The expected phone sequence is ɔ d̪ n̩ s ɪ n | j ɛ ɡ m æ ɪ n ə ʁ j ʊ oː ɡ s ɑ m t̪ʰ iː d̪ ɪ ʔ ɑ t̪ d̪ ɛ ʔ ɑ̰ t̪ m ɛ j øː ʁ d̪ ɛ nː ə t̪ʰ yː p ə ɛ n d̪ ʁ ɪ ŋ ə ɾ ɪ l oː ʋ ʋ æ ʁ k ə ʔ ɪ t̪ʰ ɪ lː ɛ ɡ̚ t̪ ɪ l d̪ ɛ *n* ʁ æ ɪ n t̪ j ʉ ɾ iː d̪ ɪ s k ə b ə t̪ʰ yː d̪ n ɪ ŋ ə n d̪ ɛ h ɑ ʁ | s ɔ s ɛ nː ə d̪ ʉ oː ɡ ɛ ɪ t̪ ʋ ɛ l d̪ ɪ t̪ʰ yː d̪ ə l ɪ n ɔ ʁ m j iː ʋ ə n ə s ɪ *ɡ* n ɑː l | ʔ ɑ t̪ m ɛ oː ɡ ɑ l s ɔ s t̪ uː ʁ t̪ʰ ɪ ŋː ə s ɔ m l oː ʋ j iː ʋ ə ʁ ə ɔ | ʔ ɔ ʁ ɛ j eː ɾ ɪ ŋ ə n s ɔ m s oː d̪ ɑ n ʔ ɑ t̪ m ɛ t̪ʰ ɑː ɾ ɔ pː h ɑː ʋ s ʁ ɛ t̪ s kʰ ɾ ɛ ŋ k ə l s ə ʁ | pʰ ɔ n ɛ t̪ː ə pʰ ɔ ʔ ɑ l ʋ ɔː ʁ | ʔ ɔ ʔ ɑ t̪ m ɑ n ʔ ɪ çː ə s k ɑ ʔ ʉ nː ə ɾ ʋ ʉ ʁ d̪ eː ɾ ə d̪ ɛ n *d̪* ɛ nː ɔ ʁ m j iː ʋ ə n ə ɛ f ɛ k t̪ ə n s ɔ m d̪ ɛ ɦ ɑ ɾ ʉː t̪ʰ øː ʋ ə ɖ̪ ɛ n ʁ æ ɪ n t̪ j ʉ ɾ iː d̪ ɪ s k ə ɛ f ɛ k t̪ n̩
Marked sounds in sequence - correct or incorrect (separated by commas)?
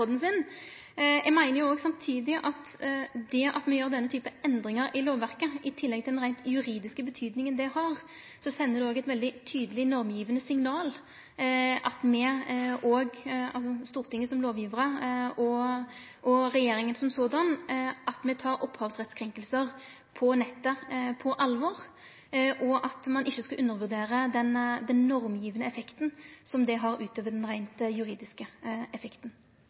correct, incorrect, correct